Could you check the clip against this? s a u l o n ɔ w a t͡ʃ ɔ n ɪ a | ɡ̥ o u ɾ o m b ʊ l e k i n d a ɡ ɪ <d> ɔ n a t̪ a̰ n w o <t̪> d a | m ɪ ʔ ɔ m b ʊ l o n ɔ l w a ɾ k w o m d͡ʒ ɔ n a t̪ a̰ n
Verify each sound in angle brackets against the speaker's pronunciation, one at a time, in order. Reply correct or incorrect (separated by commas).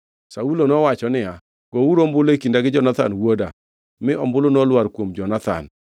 incorrect, incorrect